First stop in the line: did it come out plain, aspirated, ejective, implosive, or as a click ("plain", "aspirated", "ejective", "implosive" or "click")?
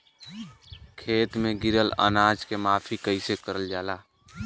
aspirated